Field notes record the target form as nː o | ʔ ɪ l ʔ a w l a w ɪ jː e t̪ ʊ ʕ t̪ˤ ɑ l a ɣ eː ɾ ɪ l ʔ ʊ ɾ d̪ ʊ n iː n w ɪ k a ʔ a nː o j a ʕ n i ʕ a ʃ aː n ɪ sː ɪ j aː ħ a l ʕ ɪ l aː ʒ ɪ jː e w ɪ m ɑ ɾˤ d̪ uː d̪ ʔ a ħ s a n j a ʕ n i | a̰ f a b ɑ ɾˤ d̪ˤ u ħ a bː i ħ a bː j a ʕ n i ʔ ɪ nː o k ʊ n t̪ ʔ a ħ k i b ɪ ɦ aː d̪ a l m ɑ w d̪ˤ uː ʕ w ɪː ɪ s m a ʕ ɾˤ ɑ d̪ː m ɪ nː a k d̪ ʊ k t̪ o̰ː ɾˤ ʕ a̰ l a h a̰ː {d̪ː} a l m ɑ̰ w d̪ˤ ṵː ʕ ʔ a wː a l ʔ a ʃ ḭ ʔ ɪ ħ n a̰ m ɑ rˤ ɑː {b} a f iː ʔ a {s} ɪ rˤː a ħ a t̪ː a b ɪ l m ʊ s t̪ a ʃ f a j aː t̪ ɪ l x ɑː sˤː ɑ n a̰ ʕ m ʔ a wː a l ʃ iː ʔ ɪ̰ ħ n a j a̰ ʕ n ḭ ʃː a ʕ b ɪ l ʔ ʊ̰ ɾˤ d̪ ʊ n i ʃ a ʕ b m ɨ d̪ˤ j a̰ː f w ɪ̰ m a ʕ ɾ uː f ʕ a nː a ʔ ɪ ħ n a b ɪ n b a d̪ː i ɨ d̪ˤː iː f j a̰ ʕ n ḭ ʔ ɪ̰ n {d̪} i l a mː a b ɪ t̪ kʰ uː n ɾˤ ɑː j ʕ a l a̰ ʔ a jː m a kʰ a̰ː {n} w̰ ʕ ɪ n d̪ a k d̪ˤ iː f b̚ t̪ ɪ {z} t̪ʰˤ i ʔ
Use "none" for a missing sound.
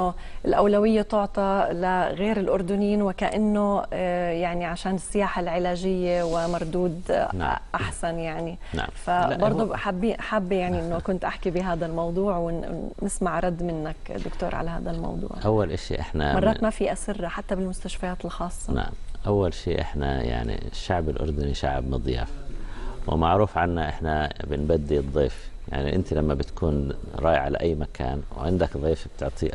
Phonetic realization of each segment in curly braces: d̪, m, s, t̪, n, ʕ

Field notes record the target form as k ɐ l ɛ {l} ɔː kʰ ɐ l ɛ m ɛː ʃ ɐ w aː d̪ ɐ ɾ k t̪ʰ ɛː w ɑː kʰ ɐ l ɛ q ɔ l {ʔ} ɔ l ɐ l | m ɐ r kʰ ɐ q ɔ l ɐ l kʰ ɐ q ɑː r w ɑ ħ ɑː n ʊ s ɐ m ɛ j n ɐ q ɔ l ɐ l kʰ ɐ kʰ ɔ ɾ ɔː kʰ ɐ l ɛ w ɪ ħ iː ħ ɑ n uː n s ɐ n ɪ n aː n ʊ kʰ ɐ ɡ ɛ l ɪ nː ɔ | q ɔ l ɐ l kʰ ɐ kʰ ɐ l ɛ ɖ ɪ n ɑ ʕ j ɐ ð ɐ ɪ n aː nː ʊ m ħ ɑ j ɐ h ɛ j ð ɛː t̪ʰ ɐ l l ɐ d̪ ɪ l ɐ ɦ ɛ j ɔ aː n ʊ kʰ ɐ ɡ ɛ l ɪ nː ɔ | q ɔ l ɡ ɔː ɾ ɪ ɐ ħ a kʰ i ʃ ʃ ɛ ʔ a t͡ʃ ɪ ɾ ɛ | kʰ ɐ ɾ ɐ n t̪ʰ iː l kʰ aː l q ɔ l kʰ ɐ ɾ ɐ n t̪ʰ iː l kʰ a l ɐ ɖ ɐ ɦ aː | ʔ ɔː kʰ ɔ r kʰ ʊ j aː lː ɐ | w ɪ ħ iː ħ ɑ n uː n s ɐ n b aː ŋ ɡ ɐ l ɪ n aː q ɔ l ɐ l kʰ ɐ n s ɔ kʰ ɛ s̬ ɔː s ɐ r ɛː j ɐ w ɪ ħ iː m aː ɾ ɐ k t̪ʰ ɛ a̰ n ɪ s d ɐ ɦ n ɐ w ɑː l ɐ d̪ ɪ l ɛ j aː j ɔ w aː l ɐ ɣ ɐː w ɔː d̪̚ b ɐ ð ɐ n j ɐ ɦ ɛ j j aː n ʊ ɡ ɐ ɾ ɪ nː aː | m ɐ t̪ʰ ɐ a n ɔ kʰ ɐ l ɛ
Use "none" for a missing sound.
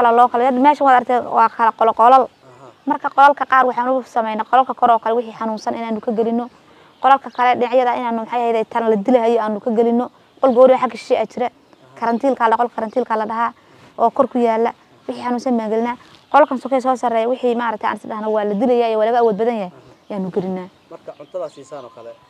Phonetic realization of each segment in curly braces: l, q

